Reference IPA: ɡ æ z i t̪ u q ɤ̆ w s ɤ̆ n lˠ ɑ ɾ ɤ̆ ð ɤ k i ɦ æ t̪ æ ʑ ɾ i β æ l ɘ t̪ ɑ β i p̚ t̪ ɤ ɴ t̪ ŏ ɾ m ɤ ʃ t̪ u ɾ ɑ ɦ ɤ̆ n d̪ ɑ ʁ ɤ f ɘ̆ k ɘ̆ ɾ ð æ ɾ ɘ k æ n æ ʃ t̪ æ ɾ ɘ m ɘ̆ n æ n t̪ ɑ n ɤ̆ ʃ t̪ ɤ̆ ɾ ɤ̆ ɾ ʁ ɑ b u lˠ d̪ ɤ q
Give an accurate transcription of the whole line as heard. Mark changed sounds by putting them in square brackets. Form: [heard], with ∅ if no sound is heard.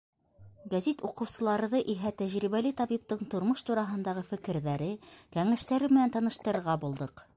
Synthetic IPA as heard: ɡ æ z i t̪ u q ɤ̆ w s ɤ̆ [∅] lˠ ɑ ɾ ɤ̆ ð ɤ [ʔ] i ɦ æ t̪ æ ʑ ɾ i β æ l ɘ t̪ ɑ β i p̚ t̪ ɤ ɴ t̪ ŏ ɾ m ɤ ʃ t̪ u ɾ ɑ ɦ ɤ̆ n d̪ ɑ ʁ ɤ f ɘ̆ k ɘ̆ ɾ ð æ ɾ ɘ k æ [ŋ] æ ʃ t̪ æ ɾ ɘ m ɘ̆ n æ n t̪ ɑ n ɤ̆ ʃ t̪ ɤ̆ ɾ ɤ̆ ɾ ʁ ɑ b u lˠ d̪ ɤ q